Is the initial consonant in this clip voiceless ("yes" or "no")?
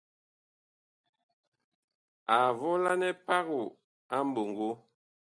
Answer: no